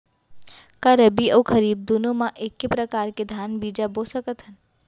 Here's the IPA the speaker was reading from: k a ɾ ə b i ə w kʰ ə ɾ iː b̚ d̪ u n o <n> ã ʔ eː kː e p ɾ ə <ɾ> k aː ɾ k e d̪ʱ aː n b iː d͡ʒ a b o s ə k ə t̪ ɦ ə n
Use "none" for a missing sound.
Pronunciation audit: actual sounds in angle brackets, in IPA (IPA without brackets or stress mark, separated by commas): m, none